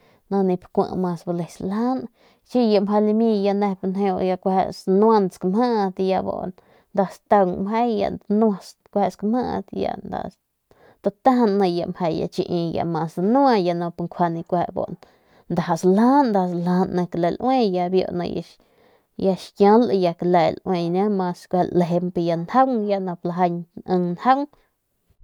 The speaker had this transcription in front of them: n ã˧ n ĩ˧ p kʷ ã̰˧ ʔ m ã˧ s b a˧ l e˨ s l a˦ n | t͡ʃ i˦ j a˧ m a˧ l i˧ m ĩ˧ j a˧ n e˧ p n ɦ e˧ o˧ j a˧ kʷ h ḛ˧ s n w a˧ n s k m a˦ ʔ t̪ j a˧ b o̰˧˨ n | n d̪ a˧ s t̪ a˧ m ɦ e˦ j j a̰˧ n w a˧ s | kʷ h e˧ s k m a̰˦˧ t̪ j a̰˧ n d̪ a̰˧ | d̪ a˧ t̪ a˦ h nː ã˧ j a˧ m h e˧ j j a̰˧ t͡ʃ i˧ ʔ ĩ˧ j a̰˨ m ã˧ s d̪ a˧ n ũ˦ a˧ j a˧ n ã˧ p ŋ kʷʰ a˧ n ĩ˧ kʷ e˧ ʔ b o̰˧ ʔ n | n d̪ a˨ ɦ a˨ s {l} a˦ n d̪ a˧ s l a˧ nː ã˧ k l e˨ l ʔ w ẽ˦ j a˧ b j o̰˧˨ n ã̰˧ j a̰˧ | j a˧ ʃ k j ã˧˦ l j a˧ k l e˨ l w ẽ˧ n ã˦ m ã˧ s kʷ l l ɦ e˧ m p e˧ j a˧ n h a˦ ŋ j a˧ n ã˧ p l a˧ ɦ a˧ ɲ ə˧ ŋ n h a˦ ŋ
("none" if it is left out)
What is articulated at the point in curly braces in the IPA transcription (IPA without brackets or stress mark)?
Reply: l